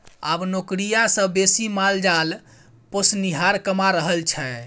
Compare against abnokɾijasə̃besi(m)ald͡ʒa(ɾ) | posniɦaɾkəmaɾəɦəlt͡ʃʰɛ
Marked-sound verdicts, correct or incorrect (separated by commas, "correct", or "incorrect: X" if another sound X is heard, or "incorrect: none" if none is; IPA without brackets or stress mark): correct, incorrect: l